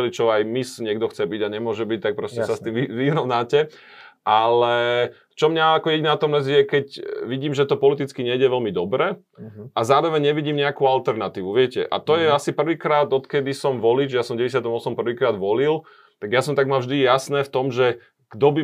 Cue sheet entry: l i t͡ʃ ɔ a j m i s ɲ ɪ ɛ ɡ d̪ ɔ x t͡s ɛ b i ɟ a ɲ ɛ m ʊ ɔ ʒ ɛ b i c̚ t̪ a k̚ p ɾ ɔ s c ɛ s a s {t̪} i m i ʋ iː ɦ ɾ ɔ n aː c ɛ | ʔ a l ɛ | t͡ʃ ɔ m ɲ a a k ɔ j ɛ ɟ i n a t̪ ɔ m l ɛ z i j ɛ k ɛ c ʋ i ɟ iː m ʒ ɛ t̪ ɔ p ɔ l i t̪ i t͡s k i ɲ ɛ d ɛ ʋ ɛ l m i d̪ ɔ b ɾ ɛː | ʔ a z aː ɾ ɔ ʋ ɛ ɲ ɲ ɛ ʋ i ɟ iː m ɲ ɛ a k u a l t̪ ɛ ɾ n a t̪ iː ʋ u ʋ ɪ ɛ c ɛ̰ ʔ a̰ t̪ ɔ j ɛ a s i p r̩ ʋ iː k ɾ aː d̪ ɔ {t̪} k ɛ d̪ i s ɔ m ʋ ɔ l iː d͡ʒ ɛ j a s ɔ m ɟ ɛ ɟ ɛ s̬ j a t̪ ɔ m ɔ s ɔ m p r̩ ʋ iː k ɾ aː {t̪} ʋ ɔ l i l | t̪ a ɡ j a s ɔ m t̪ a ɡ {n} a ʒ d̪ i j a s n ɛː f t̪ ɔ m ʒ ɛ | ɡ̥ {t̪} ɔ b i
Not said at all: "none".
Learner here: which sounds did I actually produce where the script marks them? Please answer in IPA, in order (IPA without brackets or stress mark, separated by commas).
t̪, t̪, d̪, m, d̪